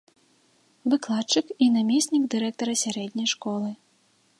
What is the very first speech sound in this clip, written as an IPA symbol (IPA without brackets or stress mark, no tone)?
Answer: v